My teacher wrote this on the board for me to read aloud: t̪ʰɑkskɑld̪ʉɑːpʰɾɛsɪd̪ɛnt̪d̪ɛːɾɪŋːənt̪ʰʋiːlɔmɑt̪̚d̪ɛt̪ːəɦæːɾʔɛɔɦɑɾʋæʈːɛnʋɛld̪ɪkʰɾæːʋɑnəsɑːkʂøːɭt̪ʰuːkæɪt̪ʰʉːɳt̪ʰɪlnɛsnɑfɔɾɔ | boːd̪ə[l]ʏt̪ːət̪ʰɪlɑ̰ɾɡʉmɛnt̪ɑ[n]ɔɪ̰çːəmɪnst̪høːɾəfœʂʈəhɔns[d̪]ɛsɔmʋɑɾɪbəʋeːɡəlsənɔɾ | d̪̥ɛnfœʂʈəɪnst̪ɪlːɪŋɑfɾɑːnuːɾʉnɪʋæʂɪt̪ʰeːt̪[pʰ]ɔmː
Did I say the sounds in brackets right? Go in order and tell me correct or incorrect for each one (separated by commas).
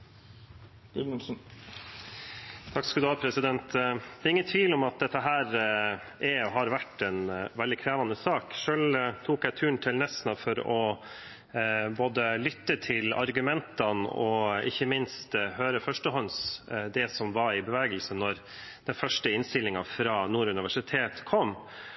correct, correct, correct, incorrect